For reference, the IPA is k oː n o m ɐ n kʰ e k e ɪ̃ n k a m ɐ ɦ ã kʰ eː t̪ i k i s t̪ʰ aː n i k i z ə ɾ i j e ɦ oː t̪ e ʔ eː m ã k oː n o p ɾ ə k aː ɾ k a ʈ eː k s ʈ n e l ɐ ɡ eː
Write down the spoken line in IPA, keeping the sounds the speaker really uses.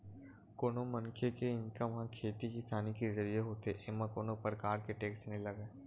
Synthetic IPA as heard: k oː n o m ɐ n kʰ e k e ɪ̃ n k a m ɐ ɦ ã kʰ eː t̪ i k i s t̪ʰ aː n i k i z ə ɾ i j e ɦ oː t̪ e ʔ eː m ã k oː n o p ɾ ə k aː ɾ k e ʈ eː k s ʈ n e l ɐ ɡ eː